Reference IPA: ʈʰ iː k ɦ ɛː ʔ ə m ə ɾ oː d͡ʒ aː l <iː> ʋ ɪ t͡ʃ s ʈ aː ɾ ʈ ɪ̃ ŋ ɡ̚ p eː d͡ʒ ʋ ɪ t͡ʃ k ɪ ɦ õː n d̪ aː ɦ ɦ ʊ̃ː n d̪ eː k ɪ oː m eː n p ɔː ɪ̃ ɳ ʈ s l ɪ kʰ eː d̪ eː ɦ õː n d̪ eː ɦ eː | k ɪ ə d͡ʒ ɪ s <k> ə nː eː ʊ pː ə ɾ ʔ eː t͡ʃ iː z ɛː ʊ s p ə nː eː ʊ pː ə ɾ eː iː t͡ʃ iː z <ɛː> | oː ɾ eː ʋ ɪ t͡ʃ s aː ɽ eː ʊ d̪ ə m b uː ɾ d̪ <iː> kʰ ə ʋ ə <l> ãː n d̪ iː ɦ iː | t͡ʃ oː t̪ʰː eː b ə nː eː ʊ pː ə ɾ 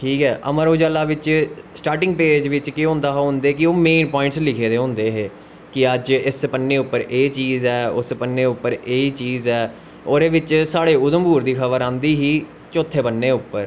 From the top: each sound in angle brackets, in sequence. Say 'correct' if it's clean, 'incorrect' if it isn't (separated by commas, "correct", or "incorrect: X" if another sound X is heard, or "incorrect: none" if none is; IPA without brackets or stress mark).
incorrect: aː, incorrect: p, correct, correct, incorrect: ɾ